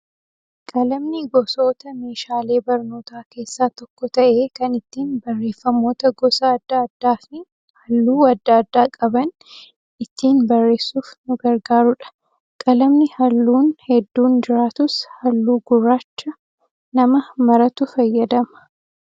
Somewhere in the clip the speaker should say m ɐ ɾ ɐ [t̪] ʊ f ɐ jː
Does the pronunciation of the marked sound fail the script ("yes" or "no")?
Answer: no